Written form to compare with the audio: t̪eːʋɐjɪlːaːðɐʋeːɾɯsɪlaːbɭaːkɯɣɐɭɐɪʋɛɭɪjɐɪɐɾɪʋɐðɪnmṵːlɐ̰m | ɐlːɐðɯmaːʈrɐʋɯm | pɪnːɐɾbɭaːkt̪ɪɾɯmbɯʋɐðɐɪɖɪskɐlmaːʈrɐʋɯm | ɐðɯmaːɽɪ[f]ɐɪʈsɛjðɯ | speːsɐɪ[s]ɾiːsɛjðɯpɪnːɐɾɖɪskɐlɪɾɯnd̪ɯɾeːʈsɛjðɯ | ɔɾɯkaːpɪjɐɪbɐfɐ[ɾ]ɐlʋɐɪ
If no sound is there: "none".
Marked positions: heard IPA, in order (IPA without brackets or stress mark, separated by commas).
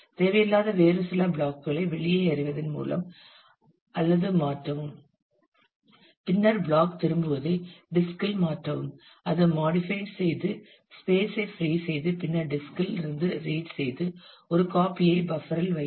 f, f, ɾ